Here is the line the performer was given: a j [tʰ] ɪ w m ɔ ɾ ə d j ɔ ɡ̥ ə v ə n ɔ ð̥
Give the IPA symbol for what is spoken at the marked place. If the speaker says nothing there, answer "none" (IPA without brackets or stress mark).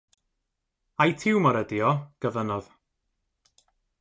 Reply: tʰ